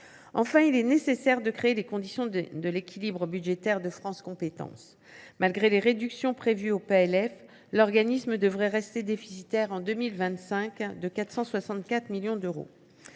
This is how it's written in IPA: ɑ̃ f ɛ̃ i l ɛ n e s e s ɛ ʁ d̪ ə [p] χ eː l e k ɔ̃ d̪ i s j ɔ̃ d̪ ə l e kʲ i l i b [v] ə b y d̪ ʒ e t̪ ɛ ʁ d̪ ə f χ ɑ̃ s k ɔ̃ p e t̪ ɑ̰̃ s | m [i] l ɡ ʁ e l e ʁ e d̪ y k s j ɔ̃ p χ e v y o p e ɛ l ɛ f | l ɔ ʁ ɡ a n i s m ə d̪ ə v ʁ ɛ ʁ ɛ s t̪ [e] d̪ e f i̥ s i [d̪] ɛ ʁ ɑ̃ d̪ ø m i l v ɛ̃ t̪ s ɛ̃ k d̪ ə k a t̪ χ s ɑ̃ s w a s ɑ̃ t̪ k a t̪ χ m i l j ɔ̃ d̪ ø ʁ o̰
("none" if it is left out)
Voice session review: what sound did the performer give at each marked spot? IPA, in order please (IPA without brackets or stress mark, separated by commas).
k, ʁ, a, e, t̪